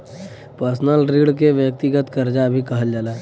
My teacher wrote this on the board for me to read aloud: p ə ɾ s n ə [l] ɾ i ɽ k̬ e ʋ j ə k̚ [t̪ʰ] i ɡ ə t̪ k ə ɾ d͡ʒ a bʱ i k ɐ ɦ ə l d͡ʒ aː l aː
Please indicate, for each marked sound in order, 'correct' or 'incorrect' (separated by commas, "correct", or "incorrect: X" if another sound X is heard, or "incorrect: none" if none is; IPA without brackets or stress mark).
correct, incorrect: t̪